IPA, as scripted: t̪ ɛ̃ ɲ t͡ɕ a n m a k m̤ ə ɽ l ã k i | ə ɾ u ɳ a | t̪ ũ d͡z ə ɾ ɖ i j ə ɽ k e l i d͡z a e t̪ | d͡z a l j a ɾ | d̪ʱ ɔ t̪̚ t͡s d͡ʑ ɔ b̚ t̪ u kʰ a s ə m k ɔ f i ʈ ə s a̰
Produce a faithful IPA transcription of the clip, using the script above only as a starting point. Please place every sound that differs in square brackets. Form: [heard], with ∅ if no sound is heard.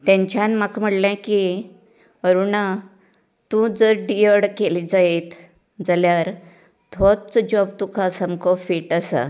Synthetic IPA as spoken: t̪ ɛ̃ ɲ t͡ɕ a n m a k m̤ ə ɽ l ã k i | ə ɾ u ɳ a | t̪ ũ d͡z ə ɾ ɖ i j ə ɽ k e l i d͡z a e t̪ | d͡z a l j a ɾ | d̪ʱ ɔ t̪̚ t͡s d͡ʑ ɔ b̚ t̪ u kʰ a s ə m k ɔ f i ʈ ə s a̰